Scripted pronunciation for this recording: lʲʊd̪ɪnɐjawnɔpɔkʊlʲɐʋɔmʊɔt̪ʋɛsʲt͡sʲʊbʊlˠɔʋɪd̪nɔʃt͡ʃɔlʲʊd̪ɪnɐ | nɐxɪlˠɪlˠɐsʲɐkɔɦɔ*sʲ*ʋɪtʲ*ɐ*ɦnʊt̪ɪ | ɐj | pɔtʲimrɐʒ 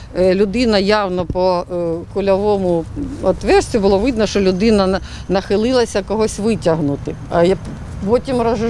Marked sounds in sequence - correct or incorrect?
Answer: correct, correct

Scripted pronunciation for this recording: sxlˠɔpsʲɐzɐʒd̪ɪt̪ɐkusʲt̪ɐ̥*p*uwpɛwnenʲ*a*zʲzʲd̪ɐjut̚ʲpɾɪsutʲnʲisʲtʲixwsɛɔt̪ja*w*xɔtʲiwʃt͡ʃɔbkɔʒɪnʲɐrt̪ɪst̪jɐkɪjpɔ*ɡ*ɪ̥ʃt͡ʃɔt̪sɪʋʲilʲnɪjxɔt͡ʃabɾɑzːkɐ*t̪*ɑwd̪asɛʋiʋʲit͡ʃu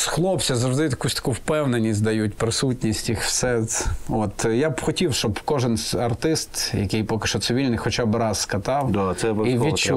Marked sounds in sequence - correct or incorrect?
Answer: incorrect, incorrect, incorrect, incorrect, correct

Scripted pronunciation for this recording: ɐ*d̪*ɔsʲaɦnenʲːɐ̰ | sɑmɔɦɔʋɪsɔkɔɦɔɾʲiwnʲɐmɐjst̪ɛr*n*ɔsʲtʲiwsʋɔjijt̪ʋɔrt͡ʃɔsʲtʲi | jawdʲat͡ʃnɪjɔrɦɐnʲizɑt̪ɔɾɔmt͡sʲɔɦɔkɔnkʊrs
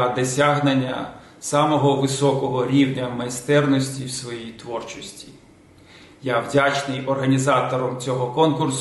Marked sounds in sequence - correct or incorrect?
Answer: correct, correct

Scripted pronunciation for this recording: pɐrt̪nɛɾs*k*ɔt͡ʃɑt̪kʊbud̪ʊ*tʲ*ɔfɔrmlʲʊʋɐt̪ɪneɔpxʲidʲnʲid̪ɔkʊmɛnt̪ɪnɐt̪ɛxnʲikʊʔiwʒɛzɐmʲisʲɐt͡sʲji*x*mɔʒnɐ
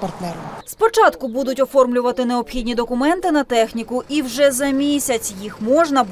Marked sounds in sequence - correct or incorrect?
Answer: incorrect, correct, correct

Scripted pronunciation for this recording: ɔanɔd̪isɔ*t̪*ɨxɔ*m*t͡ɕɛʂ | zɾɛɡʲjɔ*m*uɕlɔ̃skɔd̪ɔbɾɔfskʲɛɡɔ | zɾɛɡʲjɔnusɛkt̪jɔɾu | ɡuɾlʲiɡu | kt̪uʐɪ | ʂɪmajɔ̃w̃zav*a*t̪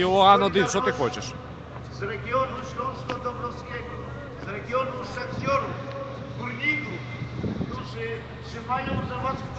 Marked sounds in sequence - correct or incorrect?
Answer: correct, incorrect, incorrect, correct

